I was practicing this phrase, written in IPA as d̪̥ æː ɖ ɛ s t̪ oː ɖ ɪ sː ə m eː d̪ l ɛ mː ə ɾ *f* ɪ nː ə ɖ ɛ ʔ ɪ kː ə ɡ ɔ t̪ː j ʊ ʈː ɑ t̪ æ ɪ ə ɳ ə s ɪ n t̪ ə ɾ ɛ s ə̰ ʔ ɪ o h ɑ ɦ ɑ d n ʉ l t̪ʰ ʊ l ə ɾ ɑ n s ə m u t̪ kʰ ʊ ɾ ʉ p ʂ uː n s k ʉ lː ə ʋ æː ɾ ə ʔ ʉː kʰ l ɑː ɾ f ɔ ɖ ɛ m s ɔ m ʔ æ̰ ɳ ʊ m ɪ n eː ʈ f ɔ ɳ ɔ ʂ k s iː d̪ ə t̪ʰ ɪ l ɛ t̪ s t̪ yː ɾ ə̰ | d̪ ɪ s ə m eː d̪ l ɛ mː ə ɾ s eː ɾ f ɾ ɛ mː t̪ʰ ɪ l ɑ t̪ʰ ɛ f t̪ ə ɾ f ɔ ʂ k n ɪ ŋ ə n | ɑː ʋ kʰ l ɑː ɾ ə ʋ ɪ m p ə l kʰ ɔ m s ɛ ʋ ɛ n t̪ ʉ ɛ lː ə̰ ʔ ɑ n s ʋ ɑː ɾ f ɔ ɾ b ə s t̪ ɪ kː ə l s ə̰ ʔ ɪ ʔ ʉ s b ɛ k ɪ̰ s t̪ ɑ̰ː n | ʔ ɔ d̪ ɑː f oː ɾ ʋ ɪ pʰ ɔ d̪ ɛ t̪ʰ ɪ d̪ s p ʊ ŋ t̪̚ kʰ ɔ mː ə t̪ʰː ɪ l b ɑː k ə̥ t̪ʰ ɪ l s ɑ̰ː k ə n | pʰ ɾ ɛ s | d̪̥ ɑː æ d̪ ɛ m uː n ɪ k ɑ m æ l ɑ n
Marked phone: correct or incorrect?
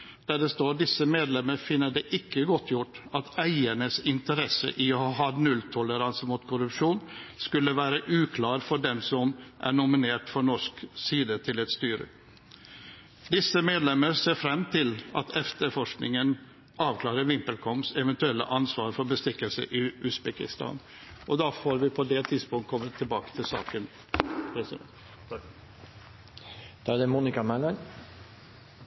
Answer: correct